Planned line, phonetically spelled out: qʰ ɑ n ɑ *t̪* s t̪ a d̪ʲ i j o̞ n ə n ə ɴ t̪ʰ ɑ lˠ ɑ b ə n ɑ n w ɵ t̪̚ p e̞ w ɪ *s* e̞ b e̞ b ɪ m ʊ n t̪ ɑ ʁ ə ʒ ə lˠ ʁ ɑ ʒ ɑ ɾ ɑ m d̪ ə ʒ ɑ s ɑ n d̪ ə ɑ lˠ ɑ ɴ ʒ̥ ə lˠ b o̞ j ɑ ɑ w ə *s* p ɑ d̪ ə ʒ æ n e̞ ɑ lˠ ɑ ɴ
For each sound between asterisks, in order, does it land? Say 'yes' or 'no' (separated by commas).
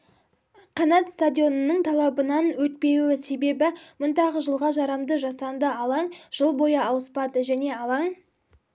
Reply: yes, yes, yes